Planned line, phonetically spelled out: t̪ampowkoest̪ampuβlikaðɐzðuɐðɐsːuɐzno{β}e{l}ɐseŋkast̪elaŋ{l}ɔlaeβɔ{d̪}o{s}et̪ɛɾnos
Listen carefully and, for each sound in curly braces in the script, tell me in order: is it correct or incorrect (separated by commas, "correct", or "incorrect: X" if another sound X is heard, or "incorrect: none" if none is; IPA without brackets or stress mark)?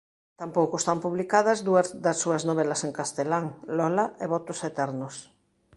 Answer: correct, correct, correct, incorrect: t̪, correct